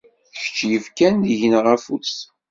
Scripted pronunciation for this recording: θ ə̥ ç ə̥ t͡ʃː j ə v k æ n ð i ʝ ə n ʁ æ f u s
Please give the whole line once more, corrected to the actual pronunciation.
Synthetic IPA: θ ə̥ ç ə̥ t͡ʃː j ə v k æ n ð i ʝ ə n ʁ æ f u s